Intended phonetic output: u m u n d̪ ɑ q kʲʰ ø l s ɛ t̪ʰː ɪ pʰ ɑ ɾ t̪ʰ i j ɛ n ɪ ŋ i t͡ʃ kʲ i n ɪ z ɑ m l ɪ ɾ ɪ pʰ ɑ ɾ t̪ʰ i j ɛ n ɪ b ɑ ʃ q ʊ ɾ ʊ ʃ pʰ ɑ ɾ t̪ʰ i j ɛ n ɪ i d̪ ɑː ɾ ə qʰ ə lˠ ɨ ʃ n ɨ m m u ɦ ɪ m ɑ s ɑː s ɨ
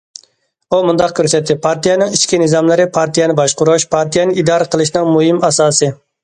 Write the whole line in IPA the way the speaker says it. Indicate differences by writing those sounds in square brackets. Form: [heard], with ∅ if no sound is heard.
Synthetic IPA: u m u n d̪ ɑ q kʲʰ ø [ɾ] s ɛ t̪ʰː ɪ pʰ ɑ ɾ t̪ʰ i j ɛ n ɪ ŋ i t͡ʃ kʲ i n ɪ z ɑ m l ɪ ɾ ɪ pʰ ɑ ɾ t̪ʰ i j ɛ n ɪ b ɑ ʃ q ʊ ɾ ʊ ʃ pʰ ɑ ɾ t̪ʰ i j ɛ n ɪ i d̪ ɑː ɾ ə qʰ ə lˠ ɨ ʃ n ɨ [ŋ] m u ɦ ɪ m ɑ s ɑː s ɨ